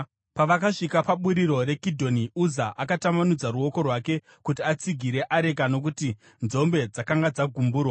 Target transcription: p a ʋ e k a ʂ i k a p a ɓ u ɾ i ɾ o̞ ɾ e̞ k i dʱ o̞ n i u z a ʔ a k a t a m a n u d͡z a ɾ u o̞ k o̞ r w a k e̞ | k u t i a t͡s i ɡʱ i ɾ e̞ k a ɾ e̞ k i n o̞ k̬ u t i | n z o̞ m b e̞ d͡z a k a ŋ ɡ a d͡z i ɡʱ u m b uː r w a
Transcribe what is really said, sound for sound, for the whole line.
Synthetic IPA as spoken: p a ʋ a k a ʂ i k a p a ɓ u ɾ i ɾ o̞ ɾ e̞ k i dʱ o̞ n i u z a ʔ a k a t a m a n u d͡z a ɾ u o̞ k o̞ r w a k e̞ | k u t i a t͡s i ɡʱ i ɾ e̞ ʔ a ɾ e̞ k a n o̞ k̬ u t i | n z o̞ m b e̞ d͡z a k a ŋ ɡ a d͡z a ɡʱ u m b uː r w a